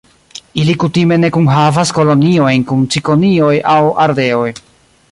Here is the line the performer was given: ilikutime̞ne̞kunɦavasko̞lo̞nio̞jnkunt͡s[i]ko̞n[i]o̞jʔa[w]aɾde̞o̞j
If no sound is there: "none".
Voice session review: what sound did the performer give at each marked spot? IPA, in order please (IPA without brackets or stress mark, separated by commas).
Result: i, i, w